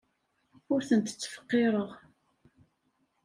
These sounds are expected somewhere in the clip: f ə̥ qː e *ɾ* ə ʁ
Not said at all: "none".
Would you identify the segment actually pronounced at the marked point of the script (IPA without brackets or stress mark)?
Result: ɾ